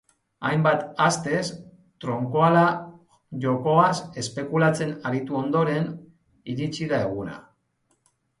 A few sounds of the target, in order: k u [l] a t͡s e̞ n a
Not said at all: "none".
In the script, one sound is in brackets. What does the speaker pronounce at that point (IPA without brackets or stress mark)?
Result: l